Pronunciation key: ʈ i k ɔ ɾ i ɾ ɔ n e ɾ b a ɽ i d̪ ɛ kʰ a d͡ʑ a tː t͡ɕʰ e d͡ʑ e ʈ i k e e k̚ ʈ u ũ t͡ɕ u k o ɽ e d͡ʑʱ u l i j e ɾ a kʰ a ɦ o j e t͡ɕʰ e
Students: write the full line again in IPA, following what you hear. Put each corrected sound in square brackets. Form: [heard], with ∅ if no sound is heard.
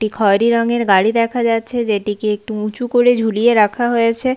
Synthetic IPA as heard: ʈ i [kʰ] ɔ ɾ i ɾ ɔ [ŋ] e ɾ [ɡ] a ɽ i d̪ ɛ kʰ a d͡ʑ a tː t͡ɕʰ e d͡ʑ e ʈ i k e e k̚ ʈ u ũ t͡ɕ u k o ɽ e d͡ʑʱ u l i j e ɾ a kʰ a ɦ o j e t͡ɕʰ e